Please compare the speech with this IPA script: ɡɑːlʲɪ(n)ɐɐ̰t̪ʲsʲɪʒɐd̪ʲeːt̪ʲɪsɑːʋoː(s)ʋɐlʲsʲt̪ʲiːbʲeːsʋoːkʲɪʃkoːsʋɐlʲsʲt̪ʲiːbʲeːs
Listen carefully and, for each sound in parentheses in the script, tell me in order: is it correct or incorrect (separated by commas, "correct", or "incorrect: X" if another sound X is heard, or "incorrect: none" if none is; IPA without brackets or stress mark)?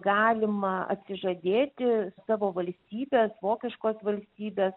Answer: incorrect: m, incorrect: none